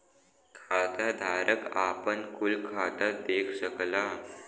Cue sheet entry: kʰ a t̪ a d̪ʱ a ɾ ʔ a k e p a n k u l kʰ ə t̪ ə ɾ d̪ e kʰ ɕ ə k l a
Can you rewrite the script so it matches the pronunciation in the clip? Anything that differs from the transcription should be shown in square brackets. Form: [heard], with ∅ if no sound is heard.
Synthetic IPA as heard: kʰ a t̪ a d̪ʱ a ɾ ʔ [ə] k [a] p [ə] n k u l kʰ [a] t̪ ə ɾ d̪ e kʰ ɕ ə k l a